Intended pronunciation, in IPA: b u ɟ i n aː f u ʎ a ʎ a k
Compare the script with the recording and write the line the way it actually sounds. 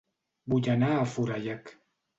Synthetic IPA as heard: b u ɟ a n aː f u ɾ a j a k